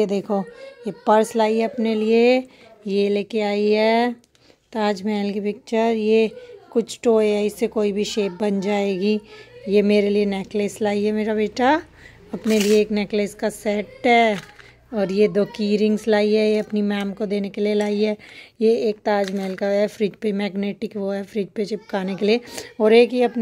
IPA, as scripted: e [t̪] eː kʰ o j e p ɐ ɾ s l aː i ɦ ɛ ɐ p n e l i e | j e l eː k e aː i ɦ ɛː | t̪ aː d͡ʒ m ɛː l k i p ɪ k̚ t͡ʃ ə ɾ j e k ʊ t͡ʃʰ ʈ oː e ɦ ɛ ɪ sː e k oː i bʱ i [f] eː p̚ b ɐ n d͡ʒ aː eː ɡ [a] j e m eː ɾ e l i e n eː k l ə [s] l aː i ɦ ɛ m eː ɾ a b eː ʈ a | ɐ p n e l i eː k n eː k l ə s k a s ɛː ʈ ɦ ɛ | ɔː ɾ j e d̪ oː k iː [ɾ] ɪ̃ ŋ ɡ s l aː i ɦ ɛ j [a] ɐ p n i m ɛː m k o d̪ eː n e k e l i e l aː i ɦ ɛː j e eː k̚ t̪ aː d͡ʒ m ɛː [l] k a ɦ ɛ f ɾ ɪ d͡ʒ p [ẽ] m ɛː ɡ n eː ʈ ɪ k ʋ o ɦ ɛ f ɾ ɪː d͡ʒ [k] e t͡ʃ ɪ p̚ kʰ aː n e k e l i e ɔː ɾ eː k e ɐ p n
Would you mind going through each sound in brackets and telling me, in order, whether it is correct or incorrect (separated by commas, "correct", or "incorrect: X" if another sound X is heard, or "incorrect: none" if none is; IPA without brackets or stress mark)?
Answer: incorrect: d̪, incorrect: ʃ, incorrect: i, correct, correct, incorrect: e, correct, incorrect: e, incorrect: p